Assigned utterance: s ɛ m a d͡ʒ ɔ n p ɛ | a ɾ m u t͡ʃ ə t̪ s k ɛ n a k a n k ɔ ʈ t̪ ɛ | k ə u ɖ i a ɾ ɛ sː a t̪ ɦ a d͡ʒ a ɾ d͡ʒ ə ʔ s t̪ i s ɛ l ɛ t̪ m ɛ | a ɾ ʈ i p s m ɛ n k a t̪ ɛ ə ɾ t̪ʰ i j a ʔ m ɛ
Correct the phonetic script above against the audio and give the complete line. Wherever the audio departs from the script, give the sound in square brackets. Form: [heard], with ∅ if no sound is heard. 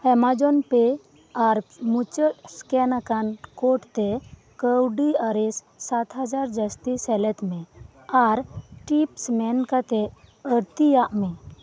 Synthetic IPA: [h] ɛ m a d͡ʒ ɔ n p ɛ | a ɾ m u t͡ʃ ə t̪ s k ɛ n a k a n k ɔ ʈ t̪ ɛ | k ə [w] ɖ i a ɾ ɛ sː a t̪ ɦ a d͡ʒ a ɾ d͡ʒ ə [∅] s t̪ i s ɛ l ɛ t̪ m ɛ | a ɾ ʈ i p s m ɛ n k a t̪ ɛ ə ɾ [t̪] i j a ʔ m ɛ